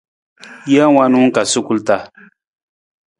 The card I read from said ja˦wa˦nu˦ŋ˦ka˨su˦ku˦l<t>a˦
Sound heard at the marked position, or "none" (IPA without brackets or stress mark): t